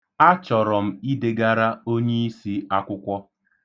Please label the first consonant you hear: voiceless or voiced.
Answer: voiceless